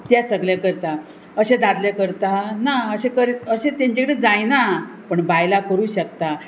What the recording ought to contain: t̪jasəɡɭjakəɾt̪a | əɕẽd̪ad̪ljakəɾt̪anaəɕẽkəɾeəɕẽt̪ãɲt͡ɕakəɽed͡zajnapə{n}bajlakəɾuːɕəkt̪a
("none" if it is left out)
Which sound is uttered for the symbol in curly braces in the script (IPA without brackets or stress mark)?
ɳ